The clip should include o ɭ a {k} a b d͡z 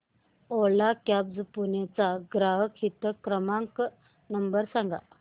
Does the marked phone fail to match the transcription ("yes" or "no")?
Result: no